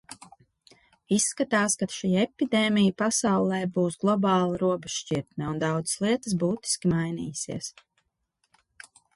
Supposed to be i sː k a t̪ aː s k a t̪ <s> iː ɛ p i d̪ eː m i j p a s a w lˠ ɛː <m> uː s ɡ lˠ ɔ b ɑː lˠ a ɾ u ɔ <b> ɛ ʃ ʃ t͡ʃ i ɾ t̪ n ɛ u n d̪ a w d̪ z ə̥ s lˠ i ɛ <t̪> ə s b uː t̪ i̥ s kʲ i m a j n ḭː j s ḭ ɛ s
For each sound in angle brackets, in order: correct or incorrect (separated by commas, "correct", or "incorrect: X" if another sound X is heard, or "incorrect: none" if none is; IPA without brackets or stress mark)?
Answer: incorrect: ʃ, incorrect: b, correct, correct